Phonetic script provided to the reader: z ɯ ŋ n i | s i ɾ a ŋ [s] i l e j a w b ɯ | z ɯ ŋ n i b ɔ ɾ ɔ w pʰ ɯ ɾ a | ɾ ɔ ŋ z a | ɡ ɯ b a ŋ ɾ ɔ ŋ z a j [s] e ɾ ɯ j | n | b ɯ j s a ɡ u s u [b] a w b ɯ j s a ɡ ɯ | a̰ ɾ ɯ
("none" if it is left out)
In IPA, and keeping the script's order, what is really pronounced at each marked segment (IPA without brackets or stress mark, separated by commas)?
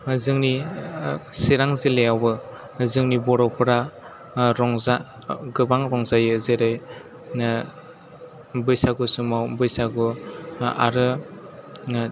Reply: z, z, m